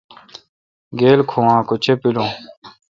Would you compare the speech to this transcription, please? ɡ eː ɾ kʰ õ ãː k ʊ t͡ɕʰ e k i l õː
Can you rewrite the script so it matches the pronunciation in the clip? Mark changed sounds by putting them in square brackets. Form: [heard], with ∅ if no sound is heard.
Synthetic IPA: ɡ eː [l] kʰ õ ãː k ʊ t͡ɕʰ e [p] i l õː